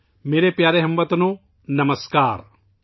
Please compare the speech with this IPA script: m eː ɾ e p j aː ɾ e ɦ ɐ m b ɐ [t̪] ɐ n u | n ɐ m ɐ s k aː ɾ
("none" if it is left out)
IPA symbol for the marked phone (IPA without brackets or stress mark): t̪